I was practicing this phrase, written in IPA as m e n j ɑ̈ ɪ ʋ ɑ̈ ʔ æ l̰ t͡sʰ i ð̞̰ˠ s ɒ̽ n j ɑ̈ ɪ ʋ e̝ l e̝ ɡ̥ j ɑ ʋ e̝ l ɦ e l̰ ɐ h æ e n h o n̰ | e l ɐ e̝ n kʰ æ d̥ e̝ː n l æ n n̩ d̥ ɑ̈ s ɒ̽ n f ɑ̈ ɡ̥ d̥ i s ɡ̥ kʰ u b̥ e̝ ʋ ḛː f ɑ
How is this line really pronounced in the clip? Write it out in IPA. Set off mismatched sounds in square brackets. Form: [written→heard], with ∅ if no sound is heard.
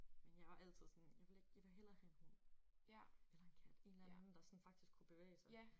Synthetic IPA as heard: m e n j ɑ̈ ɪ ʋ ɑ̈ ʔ æ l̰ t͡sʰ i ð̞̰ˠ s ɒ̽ n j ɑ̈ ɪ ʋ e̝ l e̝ ɡ̥ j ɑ ʋ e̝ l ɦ e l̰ ɐ h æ e n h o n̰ | e l ɐ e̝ n kʰ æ d̥ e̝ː n l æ n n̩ d̥ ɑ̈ s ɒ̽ n f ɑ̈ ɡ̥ d̥ i s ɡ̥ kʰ u b̥ e̝ ʋ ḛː [f→s] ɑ